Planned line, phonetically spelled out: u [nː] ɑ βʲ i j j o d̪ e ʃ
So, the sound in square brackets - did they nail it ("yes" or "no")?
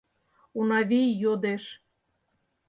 no